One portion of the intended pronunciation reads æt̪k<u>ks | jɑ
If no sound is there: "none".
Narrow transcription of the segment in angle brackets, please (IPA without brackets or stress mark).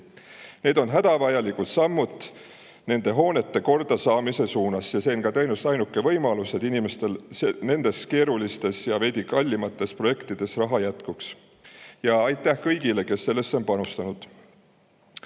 u